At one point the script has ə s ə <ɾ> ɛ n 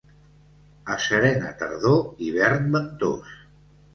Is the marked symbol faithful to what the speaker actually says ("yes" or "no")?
yes